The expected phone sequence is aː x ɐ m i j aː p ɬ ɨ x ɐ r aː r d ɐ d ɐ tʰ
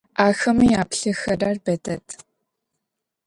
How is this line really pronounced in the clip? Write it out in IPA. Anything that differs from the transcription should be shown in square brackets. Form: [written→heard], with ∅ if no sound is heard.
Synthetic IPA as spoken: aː x ɐ m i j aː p ɬ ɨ x ɐ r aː r [d→b] ɐ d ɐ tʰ